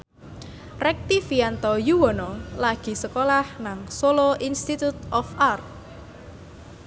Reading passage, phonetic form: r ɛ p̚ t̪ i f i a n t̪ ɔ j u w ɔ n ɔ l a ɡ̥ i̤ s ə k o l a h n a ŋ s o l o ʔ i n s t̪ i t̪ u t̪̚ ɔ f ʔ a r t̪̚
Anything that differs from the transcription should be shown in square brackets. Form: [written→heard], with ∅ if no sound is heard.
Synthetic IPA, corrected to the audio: r ɛ [p̚→k̚] t̪ i f i a n t̪ ɔ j u w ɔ n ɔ l a ɡ̥ i̤ s ə k o l a h n a ŋ s o l o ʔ i n s t̪ i t̪ u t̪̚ ɔ f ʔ a r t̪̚

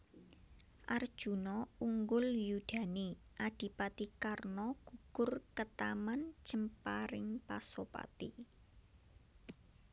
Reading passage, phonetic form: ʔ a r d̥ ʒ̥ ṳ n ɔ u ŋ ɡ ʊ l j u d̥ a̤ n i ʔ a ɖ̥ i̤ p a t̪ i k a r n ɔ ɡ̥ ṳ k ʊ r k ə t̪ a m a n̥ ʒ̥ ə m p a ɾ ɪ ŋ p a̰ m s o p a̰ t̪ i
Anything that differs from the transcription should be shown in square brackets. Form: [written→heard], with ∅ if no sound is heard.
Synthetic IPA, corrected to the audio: ʔ a r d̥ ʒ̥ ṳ n ɔ u ŋ ɡ ʊ l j u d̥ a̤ n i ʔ a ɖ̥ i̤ p a t̪ i k a r n ɔ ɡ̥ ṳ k ʊ r k ə t̪ a m a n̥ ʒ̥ ə m p a ɾ ɪ ŋ p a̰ [m→∅] s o p a̰ t̪ i

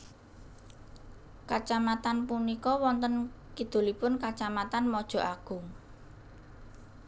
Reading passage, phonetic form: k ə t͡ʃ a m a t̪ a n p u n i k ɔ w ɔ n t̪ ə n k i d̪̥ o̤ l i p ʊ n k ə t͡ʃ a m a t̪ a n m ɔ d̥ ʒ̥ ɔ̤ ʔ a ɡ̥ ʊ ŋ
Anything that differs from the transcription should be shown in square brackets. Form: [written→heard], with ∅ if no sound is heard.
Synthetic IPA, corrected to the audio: k [ə→a] t͡ʃ a m a t̪ a n p u n i k ɔ w ɔ n t̪ ə n k i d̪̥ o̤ l i p ʊ n k [ə→a] t͡ʃ a m a t̪ a n m ɔ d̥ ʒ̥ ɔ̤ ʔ a ɡ̥ ʊ ŋ

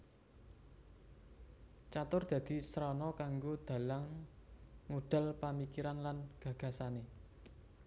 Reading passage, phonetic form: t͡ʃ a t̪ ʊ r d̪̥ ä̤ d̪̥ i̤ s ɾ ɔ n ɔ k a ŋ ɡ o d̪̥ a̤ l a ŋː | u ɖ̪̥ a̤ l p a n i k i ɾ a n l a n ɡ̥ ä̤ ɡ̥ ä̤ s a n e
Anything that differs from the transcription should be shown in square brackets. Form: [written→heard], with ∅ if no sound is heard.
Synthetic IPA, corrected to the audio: t͡ʃ a t̪ ʊ r d̪̥ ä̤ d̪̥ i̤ s ɾ ɔ n ɔ k a ŋ ɡ o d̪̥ a̤ l a ŋː | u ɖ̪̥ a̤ l p a [n→m] i k i ɾ a n l a n ɡ̥ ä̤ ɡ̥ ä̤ s a n e

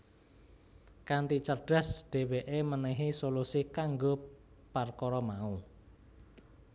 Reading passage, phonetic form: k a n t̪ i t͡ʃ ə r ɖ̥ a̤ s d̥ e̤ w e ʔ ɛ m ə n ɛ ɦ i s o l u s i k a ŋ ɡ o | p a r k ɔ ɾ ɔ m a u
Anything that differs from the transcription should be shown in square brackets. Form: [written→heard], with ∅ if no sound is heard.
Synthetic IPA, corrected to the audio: k a n t̪ i t͡ʃ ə r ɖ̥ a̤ s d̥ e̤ w e ʔ [ɛ→e] m ə n ɛ ɦ i s o l u s i k a ŋ ɡ o | p a r k ɔ ɾ ɔ m a u

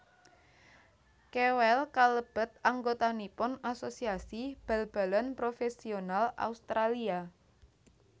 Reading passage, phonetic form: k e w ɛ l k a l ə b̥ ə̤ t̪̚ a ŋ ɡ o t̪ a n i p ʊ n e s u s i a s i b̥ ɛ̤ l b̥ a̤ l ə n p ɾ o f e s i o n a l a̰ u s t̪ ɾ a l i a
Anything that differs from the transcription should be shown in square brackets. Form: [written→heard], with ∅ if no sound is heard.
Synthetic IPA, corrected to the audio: k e w ɛ l k a l ə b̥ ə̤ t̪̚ a ŋ ɡ o t̪ a n i p ʊ n [e→a] s [u→o] s i a s i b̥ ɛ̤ l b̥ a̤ l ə n p ɾ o f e s i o n a l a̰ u s t̪ ɾ a l i a

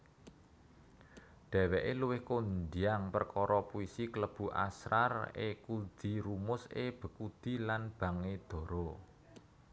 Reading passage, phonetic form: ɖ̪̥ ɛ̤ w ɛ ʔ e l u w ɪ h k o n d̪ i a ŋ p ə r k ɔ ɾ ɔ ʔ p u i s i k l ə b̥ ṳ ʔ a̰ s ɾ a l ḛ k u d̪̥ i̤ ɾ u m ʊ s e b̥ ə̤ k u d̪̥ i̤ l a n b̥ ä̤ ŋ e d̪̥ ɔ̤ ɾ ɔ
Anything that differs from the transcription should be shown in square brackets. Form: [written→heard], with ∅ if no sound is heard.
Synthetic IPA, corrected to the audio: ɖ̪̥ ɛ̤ w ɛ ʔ e l u w ɪ h k o n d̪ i a ŋ p ə r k ɔ ɾ ɔ [ʔ→∅] p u i s i k l ə b̥ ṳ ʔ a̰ s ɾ a [l→r] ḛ k u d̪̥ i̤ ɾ u m ʊ s e b̥ ə̤ k u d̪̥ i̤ l a n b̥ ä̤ ŋ e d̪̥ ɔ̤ ɾ ɔ

